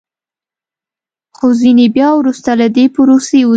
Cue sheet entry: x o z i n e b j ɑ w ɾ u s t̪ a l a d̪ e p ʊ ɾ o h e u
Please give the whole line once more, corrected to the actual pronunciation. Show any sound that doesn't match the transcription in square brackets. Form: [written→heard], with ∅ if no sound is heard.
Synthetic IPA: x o z i n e b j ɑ w ɾ u s t̪ a l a d̪ e p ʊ ɾ o [h→s] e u